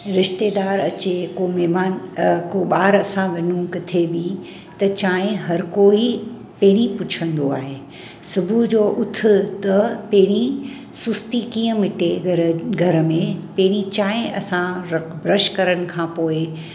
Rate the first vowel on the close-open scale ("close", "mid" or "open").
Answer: close